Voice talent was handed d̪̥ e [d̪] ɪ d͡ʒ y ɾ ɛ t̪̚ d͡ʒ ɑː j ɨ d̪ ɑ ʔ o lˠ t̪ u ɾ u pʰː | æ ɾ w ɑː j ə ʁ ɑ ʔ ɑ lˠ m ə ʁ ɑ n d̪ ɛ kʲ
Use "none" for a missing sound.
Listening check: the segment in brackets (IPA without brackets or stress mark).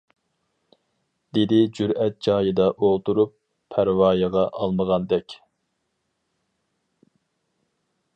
d̪